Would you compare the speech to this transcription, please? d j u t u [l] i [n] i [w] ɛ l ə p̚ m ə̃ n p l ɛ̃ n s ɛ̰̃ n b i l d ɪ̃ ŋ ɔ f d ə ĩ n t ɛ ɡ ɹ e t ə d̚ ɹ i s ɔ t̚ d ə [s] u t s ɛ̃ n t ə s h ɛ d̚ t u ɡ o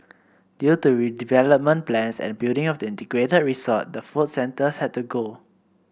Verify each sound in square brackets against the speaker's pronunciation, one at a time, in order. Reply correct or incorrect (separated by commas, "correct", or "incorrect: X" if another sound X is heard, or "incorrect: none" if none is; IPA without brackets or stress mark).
incorrect: ɹ, incorrect: d, incorrect: v, incorrect: f